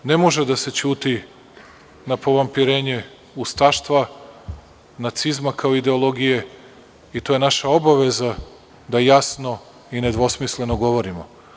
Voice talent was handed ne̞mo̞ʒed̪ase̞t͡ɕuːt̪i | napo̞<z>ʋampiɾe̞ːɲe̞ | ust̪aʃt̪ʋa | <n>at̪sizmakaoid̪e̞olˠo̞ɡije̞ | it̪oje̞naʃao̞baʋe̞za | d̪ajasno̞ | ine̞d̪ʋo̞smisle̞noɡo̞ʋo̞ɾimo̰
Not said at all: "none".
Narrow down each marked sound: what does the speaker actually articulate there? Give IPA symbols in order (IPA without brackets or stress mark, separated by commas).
none, n